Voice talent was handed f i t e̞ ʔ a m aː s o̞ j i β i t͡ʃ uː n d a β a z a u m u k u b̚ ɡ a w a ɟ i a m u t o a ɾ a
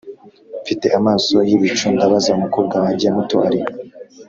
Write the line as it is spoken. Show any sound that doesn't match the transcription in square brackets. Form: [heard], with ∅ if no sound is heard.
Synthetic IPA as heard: f i t e̞ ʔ a m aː s o̞ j i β i t͡ʃ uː n d a β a z a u m u k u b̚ ɡ a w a ɟ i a m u t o a ɾ [i]